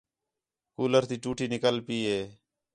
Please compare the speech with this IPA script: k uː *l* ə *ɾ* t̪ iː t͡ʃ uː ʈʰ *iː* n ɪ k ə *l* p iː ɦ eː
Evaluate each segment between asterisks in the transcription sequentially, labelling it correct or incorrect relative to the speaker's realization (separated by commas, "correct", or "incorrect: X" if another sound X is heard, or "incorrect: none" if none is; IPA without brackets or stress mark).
correct, correct, correct, correct